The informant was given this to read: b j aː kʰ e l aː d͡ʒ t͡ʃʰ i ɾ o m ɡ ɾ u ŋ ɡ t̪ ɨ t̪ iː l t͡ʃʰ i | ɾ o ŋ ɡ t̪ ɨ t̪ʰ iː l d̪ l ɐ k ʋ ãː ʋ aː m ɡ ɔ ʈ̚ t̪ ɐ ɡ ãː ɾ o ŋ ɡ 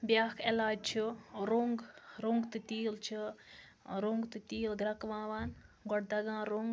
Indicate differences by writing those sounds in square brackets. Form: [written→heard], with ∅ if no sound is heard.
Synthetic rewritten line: b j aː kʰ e l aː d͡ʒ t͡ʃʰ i ɾ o [m→ŋ] ɡ ɾ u ŋ ɡ t̪ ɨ t̪ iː l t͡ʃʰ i | ɾ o ŋ ɡ t̪ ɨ [t̪ʰ→t̪] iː l d̪ [l→ɾ] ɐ k ʋ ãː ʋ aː [m→n] ɡ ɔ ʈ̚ [t̪→d̪] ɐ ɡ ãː ɾ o ŋ ɡ